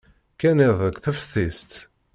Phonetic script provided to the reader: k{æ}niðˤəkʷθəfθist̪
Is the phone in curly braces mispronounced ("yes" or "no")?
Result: no